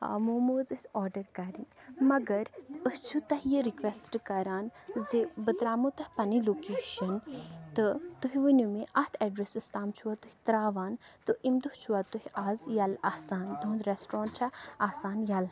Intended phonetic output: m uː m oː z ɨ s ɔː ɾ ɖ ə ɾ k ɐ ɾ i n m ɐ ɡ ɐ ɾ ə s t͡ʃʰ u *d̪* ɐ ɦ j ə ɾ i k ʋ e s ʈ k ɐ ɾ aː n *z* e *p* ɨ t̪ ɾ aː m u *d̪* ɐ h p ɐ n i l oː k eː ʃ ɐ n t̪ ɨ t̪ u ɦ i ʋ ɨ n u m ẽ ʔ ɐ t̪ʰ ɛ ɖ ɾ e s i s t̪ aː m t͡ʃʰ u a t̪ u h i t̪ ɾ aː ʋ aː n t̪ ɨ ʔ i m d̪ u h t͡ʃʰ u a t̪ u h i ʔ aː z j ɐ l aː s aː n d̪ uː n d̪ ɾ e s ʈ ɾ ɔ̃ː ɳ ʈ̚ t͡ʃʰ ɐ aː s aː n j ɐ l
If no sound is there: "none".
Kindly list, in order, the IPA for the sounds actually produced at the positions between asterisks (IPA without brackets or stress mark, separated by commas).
t̪, z, b, t̪